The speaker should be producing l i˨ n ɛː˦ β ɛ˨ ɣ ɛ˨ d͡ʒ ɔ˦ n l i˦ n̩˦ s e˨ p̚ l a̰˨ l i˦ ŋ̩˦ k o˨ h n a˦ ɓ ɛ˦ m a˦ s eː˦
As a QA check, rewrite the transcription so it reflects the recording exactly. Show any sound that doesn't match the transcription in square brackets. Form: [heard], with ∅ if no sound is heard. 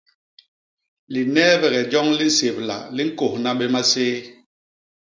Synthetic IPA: l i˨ n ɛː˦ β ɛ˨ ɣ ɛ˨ d͡ʒ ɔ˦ [ŋ] l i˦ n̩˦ s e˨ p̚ l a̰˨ l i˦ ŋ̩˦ k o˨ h n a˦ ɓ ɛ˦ m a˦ s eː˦